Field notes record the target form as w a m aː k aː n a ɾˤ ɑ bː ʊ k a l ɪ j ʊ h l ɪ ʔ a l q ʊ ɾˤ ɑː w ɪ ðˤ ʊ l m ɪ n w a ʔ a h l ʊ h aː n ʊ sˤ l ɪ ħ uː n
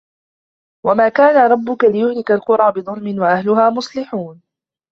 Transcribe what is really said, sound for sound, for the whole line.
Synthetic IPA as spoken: w a m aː k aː n a ɾˤ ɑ bː ʊ k a l ɪ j ʊ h l ɪ k a l q ʊ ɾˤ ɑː b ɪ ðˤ ʊ l m ɪ n w a ʔ a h l ʊ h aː m ʊ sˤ l ɪ ħ uː n